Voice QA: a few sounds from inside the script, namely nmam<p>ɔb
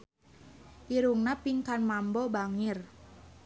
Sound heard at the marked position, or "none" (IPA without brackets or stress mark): b